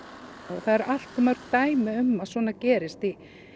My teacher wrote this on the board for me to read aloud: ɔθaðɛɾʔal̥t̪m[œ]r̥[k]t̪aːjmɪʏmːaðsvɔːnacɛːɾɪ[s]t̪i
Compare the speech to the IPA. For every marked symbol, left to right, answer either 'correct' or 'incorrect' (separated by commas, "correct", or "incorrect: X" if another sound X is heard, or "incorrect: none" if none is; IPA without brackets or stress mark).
correct, correct, correct